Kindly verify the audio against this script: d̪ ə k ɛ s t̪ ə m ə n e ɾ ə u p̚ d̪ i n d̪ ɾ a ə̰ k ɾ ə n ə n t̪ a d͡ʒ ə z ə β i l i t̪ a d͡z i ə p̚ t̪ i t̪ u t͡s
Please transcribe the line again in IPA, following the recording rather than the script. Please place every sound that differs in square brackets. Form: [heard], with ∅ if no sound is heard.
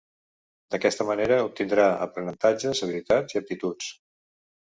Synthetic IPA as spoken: d̪ ə k ɛ s t̪ ə m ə n e ɾ ə u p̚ [t̪] i n d̪ ɾ a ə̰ [p] ɾ ə n ə n t̪ a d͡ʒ ə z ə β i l i t̪ a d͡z i ə p̚ t̪ i t̪ u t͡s